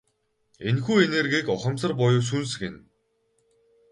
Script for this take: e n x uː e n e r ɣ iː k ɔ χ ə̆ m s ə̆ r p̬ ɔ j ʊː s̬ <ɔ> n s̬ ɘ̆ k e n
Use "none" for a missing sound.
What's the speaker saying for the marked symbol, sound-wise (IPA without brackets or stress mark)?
u